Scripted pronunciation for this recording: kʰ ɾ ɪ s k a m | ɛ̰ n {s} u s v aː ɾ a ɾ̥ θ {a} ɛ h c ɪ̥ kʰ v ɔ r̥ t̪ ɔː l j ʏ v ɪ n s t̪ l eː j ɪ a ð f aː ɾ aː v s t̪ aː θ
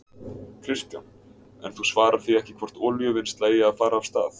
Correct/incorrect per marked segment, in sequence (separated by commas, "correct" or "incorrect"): incorrect, incorrect